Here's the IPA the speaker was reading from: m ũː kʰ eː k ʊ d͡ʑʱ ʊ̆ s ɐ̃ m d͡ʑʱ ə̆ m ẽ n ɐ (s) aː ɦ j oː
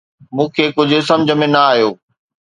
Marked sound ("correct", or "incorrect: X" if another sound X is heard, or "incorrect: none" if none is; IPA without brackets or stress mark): incorrect: none